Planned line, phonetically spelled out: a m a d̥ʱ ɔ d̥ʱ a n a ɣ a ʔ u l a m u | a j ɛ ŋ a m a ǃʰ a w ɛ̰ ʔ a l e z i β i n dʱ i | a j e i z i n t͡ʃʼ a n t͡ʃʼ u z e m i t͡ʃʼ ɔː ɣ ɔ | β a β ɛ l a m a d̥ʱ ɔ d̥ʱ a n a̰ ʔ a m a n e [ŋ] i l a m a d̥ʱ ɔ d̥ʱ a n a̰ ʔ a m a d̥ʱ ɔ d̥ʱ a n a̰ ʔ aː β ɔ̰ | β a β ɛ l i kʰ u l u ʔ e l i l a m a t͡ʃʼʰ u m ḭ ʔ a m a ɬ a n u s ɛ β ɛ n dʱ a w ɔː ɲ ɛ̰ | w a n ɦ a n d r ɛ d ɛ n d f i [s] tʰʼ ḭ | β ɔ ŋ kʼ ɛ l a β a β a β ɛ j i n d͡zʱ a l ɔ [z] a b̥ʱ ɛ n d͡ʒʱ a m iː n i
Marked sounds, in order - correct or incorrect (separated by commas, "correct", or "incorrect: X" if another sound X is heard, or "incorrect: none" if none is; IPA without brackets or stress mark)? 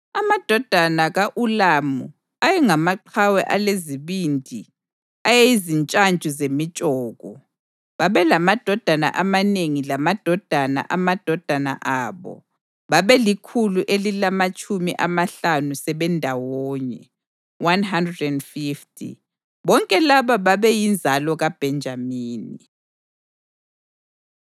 correct, incorrect: f, incorrect: ɣ